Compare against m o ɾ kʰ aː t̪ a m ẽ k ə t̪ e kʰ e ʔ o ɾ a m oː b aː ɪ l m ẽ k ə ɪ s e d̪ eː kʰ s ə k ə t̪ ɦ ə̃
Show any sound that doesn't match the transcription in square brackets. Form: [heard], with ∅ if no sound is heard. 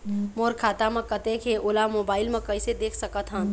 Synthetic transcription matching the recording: m o ɾ kʰ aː t̪ a m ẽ k ə t̪ e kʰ e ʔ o [l] a m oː b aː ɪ l m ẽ k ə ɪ s e d̪ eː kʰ s ə k ə t̪ ɦ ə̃